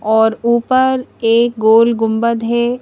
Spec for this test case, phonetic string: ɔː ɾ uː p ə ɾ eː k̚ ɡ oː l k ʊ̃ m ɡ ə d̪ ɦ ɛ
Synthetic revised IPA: ɔː ɾ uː p ə ɾ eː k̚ ɡ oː l ɡ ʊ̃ m b ə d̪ ɦ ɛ